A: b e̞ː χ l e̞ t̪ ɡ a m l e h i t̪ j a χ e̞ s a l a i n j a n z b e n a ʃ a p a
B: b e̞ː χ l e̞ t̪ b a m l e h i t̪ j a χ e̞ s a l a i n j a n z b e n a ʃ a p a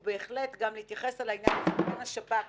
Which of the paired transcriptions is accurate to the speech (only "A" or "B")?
A